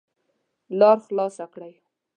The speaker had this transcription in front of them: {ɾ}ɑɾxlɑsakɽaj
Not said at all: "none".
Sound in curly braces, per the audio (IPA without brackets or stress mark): l